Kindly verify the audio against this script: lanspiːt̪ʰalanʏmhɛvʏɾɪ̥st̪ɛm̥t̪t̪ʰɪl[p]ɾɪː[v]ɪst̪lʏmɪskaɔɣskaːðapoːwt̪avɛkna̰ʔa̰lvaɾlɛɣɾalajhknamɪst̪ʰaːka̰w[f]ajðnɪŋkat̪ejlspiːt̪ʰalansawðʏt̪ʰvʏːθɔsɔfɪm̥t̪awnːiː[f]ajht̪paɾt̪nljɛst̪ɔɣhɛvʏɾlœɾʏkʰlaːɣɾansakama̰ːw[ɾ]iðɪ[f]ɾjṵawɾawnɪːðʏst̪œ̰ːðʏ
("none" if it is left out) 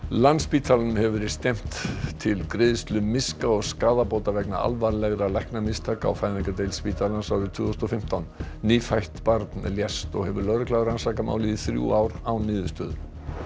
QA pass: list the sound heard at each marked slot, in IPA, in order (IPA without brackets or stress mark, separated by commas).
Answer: k, ð, f, f, l, θ